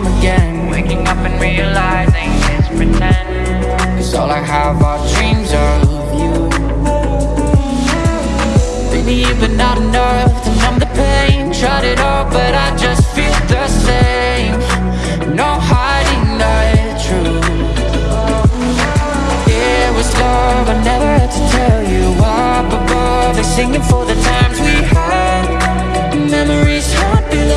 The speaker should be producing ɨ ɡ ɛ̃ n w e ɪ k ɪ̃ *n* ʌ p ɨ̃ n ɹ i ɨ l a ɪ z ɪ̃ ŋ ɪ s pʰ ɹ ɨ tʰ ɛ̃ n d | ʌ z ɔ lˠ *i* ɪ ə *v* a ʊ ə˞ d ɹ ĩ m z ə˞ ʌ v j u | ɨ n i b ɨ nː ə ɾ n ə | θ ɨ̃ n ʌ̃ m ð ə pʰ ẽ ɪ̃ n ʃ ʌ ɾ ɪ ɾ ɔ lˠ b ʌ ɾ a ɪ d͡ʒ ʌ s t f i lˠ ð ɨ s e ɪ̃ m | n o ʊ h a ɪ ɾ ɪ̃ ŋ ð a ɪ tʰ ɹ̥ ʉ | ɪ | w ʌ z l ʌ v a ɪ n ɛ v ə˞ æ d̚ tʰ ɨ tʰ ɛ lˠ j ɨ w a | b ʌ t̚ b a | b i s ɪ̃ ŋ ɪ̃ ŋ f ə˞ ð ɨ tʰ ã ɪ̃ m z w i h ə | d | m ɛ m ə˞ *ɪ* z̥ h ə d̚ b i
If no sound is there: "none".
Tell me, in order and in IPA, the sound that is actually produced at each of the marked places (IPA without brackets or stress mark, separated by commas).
ŋ, a, v, i